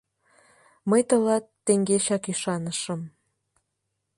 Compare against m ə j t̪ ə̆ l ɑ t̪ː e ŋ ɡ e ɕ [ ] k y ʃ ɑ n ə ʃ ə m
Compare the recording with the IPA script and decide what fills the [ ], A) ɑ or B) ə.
A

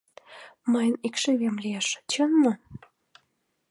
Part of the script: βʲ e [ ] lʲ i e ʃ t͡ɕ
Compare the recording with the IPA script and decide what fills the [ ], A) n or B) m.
B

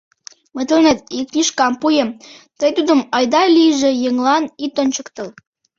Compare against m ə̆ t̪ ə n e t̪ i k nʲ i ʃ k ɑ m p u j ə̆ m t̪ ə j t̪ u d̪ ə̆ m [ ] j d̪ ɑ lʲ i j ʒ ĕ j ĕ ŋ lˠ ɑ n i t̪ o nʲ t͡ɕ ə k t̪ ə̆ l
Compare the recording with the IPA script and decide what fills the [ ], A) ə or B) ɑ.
B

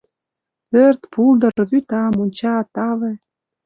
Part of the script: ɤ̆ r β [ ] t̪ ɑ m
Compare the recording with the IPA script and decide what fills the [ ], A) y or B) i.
A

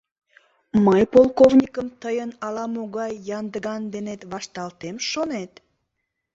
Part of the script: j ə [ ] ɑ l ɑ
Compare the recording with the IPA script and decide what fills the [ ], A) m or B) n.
B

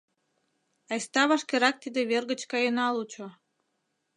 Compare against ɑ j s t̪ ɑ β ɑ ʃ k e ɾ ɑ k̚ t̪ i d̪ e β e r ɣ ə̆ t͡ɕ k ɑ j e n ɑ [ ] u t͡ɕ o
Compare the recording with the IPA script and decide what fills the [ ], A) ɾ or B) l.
B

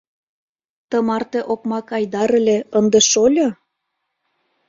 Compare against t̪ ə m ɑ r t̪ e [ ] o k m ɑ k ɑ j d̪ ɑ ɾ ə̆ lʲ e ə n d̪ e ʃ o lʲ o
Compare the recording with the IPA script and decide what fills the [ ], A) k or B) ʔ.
B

